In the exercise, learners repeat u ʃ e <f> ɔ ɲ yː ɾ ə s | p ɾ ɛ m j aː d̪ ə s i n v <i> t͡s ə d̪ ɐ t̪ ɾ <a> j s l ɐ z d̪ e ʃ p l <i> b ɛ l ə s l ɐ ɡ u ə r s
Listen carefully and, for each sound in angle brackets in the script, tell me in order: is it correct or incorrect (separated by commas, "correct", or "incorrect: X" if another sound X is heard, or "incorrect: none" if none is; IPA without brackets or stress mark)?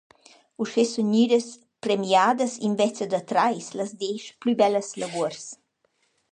incorrect: s, incorrect: ɛ, correct, incorrect: y